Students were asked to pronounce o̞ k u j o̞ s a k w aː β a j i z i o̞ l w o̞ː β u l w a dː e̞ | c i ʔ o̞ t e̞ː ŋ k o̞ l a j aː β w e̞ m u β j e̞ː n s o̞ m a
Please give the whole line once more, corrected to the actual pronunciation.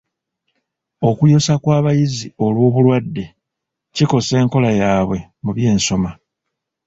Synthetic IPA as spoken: o̞ k u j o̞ s a k w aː β a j i z i o̞ l w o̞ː β u l w a dː e̞ | c i k o̞ s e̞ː ŋ k o̞ l a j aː β w e̞ m u β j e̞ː n s o̞ m a